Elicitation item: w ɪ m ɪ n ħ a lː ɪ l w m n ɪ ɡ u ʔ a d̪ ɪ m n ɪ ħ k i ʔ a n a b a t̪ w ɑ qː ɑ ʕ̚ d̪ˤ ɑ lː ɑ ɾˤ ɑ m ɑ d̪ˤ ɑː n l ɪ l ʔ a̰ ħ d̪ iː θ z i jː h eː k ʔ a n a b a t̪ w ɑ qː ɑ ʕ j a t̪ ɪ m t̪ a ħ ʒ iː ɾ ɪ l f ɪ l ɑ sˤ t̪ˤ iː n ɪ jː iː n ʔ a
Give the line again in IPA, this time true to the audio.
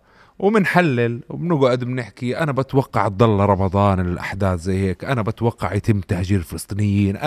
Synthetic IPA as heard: w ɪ m ɪ n ħ a lː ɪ l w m n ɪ ɡ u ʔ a d̪ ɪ m n ɪ ħ k i ʔ a n a b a t̪ w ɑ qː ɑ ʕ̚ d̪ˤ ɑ lː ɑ ɾˤ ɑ m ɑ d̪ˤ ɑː n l ɪ l ʔ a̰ ħ d̪ aː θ z a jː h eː k ʔ a n a b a t̪ w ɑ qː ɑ ʕ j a t̪ ɪ m t̪ a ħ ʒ iː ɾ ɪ l f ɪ l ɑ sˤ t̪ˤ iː n ɪ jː iː n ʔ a